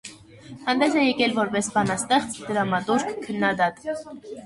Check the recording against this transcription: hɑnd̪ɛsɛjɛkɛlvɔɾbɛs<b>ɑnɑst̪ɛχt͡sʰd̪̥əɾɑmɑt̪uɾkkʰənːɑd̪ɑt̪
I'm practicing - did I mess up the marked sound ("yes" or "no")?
no